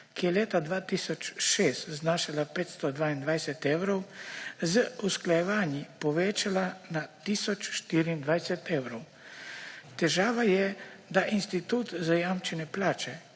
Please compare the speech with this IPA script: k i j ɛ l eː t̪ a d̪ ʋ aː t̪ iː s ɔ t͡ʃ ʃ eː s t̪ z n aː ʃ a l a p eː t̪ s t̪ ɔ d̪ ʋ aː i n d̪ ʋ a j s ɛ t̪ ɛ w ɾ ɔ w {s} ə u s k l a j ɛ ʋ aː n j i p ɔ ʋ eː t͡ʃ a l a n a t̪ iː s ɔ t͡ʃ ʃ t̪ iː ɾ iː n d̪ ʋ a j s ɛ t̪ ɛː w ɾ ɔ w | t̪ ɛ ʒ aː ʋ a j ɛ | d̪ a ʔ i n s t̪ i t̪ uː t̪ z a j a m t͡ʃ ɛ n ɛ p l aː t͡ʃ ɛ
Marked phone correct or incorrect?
incorrect